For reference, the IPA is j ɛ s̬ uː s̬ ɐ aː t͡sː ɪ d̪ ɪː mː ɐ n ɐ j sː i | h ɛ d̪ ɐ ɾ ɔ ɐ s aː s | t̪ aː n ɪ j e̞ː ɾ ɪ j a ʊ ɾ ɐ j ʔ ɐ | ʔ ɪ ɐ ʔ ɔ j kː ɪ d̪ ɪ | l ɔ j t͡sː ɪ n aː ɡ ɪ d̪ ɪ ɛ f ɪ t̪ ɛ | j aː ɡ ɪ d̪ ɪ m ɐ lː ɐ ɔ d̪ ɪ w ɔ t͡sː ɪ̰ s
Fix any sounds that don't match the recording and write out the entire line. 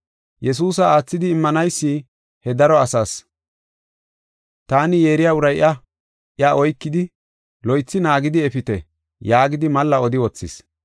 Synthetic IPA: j ɛ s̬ uː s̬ ɐ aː t͡sː ɪ d̪ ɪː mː ɐ n ɐ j sː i | h ɛ d̪ ɐ ɾ ɔ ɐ s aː s | t̪ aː n ɪ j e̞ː ɾ ɪ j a ʊ ɾ ɐ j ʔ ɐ | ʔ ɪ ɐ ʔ ɔ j kː ɪ d̪ ɪ | l ɔ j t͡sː ɪ n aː ɡ ɪ d̪ ɪ ɛ f ɪ t̪ ɛ | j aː ɡ ɪ d̪ ɪ m ɐ lː ɐ ɔ d̪ ɪ w ɔ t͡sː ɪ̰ s